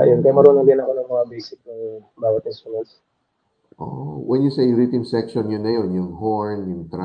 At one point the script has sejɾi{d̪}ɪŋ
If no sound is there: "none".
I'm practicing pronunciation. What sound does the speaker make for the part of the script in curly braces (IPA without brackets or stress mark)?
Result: t̪